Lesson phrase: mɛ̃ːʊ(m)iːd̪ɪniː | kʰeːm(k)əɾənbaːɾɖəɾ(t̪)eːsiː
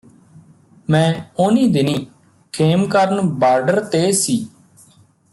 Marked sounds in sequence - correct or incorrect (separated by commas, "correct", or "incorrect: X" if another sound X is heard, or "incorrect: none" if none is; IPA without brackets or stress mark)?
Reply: incorrect: n, correct, correct